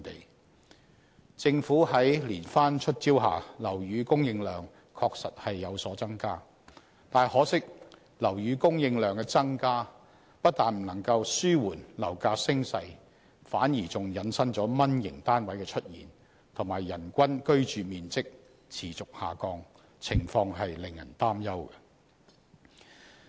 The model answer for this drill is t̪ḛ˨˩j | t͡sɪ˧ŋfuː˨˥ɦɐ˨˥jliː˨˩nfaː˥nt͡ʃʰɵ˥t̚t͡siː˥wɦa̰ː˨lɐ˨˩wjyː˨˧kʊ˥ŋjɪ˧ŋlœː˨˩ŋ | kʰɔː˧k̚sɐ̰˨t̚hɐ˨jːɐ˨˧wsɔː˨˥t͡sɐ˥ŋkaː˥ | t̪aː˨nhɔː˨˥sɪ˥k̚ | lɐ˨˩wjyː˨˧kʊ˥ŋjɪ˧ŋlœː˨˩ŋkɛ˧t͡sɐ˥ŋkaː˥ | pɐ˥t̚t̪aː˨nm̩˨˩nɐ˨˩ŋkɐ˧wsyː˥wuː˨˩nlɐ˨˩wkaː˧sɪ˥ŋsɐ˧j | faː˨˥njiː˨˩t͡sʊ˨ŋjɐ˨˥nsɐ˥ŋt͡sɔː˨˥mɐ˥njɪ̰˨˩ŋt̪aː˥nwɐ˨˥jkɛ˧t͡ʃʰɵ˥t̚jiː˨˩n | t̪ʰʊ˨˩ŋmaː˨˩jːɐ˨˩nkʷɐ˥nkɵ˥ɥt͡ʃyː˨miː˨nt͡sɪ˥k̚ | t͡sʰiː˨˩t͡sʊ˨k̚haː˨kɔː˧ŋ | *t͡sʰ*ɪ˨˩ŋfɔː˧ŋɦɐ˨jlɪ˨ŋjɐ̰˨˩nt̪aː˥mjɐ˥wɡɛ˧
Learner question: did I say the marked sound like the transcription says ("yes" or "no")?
yes